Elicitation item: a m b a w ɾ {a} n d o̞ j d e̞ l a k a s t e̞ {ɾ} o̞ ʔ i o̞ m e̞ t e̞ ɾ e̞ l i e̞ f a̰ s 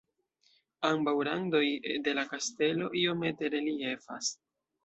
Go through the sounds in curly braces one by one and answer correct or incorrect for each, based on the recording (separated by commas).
correct, incorrect